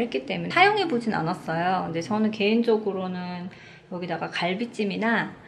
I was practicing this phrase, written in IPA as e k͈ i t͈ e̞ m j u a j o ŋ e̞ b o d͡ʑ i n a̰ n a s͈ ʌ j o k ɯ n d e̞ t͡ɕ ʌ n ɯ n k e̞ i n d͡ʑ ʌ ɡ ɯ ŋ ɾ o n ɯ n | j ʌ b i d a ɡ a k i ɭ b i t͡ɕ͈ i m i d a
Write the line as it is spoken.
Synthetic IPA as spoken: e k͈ i t͈ e̞ m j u a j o ŋ e̞ b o d͡ʑ i n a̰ n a s͈ ʌ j o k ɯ n d e̞ t͡ɕ ʌ n ɯ n k e̞ i n d͡ʑ ʌ ɡ ɯ ɾ o n ɯ n | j ʌ ɡ i d a ɡ a k a ɭ b i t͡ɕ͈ i m i n a